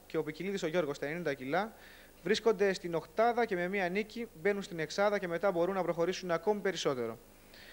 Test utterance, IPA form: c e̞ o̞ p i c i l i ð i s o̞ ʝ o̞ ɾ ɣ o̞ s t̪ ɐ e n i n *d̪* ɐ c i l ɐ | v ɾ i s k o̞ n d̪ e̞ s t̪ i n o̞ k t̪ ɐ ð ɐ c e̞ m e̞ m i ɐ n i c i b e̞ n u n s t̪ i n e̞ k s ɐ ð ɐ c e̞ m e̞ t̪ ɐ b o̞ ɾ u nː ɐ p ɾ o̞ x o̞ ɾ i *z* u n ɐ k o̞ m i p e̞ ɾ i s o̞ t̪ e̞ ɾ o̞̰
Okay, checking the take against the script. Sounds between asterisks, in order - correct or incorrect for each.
correct, incorrect

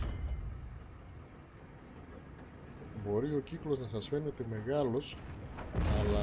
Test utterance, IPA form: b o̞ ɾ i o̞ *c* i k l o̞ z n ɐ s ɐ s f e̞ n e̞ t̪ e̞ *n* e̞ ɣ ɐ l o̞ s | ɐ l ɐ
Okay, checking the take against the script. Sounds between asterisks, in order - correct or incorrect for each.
correct, incorrect

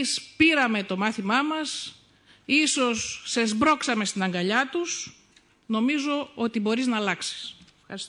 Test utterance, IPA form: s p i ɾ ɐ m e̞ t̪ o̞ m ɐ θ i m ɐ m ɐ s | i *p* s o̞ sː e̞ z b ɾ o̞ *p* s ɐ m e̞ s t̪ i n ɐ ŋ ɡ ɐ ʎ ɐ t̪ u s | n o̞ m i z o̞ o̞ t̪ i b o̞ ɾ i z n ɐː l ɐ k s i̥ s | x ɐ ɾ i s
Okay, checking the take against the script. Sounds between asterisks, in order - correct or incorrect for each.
incorrect, incorrect

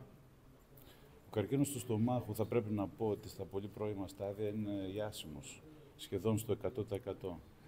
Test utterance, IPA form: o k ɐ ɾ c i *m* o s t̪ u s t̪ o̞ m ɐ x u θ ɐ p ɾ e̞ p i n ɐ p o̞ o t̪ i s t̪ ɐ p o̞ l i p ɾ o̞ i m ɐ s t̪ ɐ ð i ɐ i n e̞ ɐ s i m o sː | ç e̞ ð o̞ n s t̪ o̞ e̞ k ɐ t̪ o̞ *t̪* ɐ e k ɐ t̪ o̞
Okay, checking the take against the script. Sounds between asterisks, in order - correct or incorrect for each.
incorrect, correct

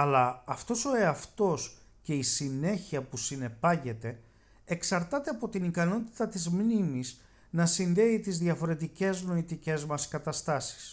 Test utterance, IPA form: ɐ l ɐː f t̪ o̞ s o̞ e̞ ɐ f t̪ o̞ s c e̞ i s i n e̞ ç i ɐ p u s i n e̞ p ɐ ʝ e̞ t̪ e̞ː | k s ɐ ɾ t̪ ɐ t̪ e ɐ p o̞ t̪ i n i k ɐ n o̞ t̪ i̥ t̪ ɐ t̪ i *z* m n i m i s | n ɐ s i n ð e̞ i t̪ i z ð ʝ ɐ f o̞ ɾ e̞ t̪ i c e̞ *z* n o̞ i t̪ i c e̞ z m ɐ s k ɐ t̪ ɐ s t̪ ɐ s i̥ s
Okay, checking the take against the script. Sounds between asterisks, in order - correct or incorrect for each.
correct, correct

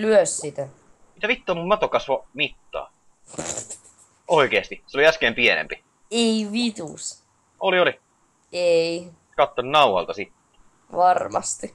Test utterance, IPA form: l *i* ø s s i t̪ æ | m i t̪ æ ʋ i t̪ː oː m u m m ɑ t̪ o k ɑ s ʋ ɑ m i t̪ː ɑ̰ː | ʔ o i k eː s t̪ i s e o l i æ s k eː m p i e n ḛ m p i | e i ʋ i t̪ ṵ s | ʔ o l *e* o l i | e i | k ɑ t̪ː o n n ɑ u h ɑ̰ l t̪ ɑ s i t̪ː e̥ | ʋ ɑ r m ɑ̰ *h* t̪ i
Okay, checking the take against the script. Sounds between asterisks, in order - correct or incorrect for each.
incorrect, incorrect, incorrect

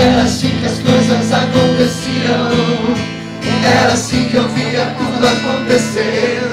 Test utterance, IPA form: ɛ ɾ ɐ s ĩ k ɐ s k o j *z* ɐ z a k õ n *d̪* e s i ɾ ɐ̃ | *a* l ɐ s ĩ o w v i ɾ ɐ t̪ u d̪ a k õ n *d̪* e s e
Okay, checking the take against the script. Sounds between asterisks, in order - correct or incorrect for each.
correct, incorrect, incorrect, incorrect

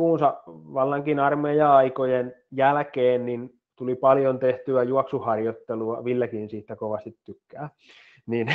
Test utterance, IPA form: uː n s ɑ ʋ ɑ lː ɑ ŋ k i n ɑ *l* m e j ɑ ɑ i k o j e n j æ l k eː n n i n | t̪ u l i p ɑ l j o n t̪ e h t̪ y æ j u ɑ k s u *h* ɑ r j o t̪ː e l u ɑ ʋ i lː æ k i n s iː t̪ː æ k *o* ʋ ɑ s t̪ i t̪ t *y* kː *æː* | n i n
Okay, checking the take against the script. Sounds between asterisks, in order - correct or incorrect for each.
incorrect, correct, correct, correct, correct

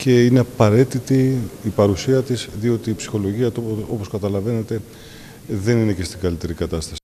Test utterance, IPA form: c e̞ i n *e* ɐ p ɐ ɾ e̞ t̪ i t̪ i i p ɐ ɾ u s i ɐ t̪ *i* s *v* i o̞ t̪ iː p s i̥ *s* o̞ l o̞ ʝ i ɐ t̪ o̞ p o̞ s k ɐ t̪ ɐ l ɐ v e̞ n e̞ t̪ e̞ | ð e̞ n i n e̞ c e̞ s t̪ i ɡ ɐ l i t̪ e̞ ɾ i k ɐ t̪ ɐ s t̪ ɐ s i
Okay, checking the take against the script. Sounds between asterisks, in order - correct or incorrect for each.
correct, correct, incorrect, incorrect

